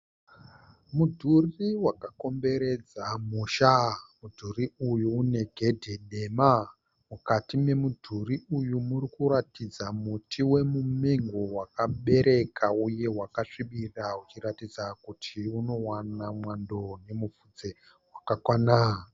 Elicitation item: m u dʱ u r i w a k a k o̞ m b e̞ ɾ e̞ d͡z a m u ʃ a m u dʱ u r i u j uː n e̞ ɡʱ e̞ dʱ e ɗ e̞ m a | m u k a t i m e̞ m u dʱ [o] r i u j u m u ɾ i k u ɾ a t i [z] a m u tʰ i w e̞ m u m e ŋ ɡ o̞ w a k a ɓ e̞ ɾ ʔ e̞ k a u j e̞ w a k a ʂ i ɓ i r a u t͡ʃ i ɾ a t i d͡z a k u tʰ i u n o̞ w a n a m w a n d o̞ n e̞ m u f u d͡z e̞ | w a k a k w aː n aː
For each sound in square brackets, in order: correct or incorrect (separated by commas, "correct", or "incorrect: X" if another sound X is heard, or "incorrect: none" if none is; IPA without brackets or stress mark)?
incorrect: u, incorrect: d͡z